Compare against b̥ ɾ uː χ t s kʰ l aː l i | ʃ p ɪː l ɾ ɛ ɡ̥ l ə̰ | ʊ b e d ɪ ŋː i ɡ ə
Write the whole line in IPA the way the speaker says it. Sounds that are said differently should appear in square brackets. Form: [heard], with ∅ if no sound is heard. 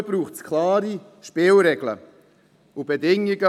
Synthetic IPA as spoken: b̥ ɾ uː χ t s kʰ l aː [ɾ] i | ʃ p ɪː l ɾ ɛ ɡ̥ l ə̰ | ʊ b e d ɪ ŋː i ɡ ə